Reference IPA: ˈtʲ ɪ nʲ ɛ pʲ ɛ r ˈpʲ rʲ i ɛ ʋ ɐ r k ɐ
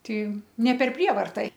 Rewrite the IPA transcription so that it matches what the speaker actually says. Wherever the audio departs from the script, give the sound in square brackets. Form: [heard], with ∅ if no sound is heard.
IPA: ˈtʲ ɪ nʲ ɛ pʲ ɛ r ˈpʲ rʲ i ɛ ʋ ɐ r [t] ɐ